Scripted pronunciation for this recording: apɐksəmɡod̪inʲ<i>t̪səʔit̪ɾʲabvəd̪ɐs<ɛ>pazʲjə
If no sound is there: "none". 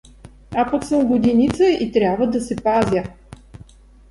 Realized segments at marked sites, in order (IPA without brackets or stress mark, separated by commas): i, ɛ